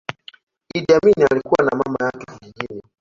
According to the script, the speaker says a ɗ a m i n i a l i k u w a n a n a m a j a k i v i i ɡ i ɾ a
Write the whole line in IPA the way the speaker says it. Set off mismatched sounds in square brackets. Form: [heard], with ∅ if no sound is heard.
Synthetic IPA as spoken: [i] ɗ a m i n i a l i k u w a n a [m] a m a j a k [ɛ] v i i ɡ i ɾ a